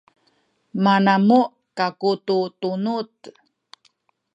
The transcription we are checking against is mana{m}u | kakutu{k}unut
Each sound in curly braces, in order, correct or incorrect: correct, incorrect

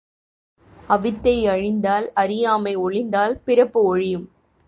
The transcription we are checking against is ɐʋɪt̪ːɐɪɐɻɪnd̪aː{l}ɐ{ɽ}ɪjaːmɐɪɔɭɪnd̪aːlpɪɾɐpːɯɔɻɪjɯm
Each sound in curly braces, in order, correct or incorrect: correct, incorrect

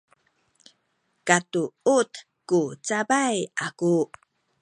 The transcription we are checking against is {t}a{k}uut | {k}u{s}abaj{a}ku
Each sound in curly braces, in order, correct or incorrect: incorrect, incorrect, correct, incorrect, correct

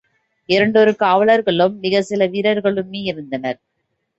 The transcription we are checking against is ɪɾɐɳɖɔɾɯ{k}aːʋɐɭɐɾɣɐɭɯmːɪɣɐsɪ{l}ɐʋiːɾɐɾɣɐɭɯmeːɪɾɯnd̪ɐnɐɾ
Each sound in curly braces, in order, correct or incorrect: correct, correct

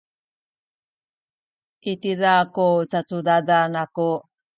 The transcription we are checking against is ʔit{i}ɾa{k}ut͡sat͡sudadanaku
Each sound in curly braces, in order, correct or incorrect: correct, correct

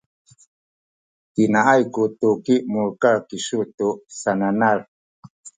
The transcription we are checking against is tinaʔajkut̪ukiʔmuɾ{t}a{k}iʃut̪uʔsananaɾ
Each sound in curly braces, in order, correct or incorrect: incorrect, correct

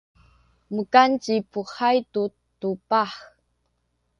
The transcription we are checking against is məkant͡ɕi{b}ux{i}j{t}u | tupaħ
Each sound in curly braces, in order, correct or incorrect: incorrect, incorrect, correct

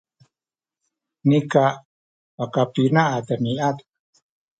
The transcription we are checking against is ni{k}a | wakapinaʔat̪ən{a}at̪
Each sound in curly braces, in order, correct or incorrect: correct, incorrect

